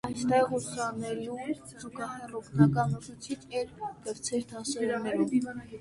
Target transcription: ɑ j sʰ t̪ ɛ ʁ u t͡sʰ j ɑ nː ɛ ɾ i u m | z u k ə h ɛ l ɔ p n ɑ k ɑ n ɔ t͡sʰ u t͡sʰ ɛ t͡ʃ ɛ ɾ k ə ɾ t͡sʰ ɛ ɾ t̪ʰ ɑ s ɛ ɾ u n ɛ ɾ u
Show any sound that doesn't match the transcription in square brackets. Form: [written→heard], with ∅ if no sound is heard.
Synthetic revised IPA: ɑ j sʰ t̪ ɛ ʁ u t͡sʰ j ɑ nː ɛ ɾ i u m | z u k [ə→ɑ] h ɛ [l→r] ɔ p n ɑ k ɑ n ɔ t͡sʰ u t͡sʰ [ɛ→i] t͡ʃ ɛ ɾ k ə ɾ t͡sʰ ɛ ɾ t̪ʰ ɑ s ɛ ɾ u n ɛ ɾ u